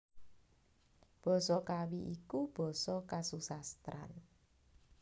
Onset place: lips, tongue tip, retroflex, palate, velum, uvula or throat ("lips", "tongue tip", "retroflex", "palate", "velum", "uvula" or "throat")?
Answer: lips